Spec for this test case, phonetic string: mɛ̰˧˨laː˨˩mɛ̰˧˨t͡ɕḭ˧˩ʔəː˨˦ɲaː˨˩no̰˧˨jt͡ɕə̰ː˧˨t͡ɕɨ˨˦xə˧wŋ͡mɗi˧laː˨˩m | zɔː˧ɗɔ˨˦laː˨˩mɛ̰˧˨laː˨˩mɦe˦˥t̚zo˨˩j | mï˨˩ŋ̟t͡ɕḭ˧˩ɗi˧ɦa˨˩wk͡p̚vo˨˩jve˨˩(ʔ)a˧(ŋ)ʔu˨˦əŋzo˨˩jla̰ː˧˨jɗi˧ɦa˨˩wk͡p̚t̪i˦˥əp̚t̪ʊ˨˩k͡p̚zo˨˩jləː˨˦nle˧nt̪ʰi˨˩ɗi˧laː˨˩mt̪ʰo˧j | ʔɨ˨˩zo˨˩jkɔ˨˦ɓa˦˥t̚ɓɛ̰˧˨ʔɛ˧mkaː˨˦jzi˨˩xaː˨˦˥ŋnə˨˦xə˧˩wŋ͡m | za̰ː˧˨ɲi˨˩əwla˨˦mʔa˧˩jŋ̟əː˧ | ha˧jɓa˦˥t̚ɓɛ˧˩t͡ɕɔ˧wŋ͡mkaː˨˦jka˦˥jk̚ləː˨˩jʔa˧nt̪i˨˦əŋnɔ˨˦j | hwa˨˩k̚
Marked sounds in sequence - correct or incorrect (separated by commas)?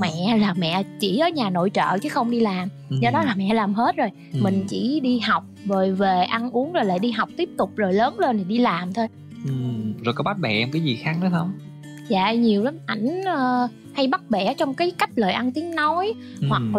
correct, incorrect